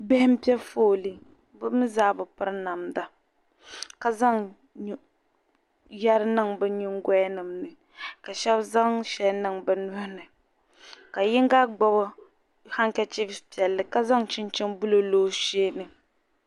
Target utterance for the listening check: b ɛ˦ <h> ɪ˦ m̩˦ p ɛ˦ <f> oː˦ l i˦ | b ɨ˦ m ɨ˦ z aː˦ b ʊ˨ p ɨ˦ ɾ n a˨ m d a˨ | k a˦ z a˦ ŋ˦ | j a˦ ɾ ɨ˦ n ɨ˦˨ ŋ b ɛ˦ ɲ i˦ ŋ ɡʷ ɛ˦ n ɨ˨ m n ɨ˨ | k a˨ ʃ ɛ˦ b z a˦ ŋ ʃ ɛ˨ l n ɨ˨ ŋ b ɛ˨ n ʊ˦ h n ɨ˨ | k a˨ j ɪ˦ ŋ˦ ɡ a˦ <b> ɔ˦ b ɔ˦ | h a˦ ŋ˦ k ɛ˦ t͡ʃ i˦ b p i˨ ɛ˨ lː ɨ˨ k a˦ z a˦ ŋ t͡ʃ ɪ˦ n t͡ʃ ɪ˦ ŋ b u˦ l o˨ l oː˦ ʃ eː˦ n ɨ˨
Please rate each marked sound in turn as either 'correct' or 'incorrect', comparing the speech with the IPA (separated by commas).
correct, correct, incorrect